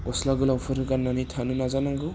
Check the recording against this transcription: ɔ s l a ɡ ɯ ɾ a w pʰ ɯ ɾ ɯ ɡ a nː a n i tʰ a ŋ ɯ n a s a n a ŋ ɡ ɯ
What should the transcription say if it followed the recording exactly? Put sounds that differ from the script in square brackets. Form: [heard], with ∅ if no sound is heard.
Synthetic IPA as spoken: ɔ s l a ɡ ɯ [l] a w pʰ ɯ ɾ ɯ ɡ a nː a n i tʰ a [n] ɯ n a [z] a n a ŋ ɡ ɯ